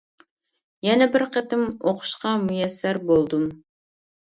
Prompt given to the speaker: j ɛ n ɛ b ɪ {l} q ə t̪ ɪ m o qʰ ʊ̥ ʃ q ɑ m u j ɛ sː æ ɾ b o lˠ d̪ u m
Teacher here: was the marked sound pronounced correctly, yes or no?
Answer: no